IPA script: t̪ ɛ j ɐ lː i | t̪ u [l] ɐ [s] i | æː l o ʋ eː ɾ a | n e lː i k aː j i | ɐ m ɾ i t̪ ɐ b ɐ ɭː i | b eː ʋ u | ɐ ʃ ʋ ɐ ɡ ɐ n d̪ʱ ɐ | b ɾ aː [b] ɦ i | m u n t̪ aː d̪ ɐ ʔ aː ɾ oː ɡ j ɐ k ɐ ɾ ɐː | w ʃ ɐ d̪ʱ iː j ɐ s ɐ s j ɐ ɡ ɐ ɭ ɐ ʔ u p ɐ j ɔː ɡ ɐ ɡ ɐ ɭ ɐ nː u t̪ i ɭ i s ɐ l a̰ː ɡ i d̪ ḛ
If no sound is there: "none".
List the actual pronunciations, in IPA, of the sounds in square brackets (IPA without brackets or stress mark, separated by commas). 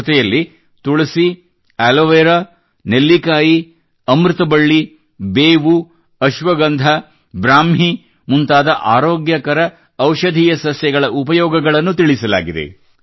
ɭ, s, m